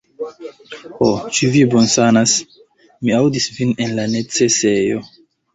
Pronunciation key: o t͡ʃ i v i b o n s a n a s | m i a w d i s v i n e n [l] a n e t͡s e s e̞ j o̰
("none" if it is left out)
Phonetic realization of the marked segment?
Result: l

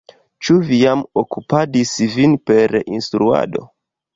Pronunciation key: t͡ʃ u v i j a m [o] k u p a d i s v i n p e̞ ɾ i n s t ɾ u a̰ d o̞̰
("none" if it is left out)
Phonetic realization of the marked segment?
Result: o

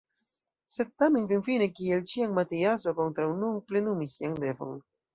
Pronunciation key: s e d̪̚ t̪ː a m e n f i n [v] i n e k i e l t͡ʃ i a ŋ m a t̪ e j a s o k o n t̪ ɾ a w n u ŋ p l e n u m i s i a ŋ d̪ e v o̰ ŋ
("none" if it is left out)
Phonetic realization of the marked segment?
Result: f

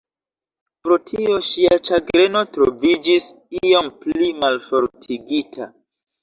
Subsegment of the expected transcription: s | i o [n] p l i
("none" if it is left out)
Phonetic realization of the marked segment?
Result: m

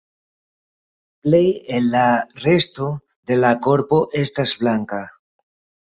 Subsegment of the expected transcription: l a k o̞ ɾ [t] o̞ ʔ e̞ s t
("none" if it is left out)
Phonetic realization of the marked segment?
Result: p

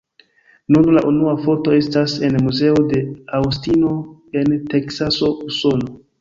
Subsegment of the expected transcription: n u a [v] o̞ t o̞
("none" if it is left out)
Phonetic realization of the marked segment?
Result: f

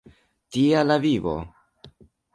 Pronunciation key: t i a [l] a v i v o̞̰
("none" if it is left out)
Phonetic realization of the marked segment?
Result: l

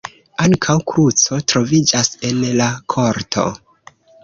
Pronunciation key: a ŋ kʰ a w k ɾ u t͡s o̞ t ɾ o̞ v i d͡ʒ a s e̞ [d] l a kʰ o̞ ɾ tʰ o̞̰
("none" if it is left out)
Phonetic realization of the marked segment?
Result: n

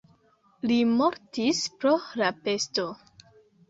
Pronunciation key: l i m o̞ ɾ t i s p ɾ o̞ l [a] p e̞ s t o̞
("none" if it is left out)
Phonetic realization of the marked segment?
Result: a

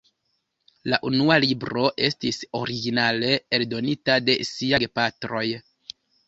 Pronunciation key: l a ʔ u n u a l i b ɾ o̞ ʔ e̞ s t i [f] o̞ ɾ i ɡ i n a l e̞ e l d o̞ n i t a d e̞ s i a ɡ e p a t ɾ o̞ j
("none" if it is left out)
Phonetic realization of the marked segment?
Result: s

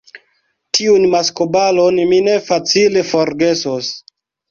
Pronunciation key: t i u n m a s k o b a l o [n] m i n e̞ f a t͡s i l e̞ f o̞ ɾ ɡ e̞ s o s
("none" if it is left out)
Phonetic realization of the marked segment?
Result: n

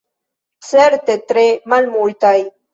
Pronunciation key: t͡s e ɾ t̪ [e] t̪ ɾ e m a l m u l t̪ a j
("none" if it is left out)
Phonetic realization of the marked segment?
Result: e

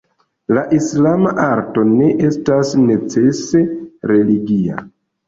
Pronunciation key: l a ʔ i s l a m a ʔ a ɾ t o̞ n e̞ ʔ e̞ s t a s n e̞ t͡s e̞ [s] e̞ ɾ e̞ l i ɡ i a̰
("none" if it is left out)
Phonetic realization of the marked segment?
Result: s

